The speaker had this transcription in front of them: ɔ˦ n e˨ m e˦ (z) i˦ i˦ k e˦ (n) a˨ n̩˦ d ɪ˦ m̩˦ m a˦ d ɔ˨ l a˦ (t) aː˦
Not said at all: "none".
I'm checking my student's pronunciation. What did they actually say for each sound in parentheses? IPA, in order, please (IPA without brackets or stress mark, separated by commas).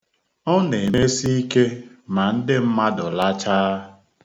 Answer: s, m, t͡ʃ